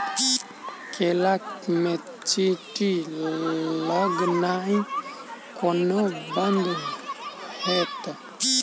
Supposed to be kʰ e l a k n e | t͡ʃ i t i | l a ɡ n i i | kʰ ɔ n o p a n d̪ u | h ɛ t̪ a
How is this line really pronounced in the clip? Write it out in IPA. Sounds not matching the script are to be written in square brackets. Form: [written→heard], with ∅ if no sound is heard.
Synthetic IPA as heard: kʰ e l a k [n→m] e | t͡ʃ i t i | l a ɡ n [i→a] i | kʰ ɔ n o [p→b] a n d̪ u | h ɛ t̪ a

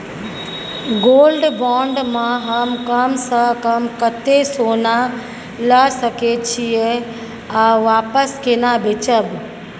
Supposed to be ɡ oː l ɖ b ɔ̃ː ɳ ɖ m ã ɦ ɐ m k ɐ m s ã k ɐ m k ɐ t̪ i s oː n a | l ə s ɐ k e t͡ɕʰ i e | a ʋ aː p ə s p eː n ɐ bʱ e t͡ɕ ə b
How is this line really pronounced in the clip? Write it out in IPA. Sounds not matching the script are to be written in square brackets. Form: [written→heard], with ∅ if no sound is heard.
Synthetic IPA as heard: ɡ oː l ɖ b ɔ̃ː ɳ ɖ m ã ɦ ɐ m k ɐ m s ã k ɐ m k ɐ t̪ [i→e] s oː n a | l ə s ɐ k e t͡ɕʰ i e | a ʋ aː p ə s [p→k] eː n [ɐ→a] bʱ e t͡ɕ ə b

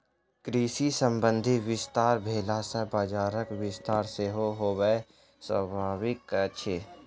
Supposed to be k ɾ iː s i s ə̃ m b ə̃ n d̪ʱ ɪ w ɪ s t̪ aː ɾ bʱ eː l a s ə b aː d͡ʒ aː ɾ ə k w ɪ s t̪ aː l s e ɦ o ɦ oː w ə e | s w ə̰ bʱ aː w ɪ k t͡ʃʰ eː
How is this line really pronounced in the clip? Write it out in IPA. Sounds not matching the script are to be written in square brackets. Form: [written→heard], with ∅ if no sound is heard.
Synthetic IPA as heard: k ɾ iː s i s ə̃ m b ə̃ n d̪ʱ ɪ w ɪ s t̪ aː ɾ bʱ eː l a s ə b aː d͡ʒ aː ɾ ə k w ɪ s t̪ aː [l→ɾ] s e ɦ o ɦ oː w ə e | s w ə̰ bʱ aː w ɪ k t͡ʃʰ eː

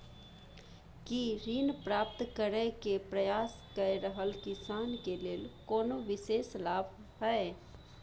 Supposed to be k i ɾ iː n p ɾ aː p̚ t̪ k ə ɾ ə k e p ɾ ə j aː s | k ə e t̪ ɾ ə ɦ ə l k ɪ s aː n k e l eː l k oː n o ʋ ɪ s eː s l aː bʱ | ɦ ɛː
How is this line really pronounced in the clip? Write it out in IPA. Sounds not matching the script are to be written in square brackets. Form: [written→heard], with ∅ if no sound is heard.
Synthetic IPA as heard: k i ɾ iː n p ɾ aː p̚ t̪ k ə ɾ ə k e p ɾ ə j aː s | k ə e [t̪→∅] ɾ ə ɦ ə l k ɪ s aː n k e l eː l k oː n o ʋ ɪ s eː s l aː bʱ | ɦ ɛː

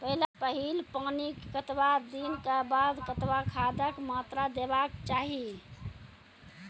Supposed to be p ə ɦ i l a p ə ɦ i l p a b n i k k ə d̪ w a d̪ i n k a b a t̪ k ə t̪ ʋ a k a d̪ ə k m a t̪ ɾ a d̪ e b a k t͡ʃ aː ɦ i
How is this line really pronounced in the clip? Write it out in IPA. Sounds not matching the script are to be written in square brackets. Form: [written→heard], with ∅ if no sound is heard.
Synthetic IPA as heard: p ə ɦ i l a p ə ɦ i l p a [b→∅] n i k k ə [d̪→t̪] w a d̪ i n k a b a [t̪→d̪] k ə t̪ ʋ a [k→kʰ] a d̪ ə k m a t̪ ɾ a d̪ e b a k t͡ʃ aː ɦ i

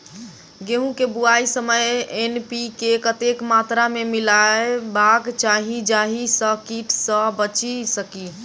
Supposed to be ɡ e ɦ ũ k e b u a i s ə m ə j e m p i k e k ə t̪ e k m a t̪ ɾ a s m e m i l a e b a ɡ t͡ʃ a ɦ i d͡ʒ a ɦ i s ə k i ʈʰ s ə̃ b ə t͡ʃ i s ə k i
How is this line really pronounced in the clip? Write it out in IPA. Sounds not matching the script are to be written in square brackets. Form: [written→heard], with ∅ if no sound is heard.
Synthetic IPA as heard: ɡ e ɦ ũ k e b u a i s ə m ə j e [m→n] p i k e k ə t̪ e k m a t̪ ɾ a [s→∅] m e m i l a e b a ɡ t͡ʃ a ɦ i d͡ʒ a ɦ i s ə k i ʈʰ s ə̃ b ə t͡ʃ i s ə k i

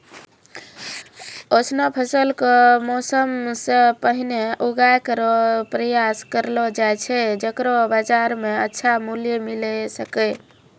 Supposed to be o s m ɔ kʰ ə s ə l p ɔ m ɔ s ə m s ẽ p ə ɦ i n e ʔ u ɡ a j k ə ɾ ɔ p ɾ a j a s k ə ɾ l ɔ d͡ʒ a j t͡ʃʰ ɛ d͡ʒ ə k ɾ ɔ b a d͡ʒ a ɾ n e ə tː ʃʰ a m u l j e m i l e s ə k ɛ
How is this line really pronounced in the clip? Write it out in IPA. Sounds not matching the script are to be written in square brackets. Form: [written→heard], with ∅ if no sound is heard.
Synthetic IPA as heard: o s [m→n] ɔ [kʰ→pʰ] ə s ə l [p→k] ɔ m ɔ s ə m s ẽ p ə ɦ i n e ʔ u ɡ a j k ə ɾ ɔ p ɾ [a→ə] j a s k ə ɾ l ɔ d͡ʒ a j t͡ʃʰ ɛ d͡ʒ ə k ɾ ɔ b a d͡ʒ a ɾ [n→m] e ə tː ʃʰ a m u l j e m i l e s ə k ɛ

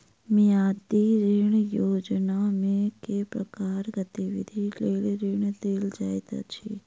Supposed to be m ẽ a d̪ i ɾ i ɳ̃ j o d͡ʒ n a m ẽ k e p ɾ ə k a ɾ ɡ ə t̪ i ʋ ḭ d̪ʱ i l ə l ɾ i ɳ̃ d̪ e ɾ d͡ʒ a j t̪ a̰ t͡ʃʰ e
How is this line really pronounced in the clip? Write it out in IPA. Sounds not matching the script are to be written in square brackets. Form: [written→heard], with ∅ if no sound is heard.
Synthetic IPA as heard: m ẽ a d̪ i ɾ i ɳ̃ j o d͡ʒ n a m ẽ k e p ɾ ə k a ɾ ɡ ə t̪ i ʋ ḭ d̪ʱ i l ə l ɾ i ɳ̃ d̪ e [ɾ→l] d͡ʒ a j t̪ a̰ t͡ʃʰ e

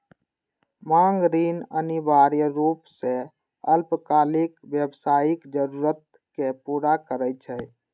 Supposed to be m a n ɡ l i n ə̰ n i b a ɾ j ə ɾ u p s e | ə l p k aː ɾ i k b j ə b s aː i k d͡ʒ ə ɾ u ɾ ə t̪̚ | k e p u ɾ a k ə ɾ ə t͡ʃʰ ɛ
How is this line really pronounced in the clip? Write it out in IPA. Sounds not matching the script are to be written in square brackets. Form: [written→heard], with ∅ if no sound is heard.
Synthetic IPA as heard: m a [n→ŋ] ɡ [l→ɾ] i n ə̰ n i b a ɾ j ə ɾ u p s e | ə l p k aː [ɾ→l] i k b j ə b s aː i k d͡ʒ ə ɾ u ɾ ə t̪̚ | k e p u ɾ a k ə ɾ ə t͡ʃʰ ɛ

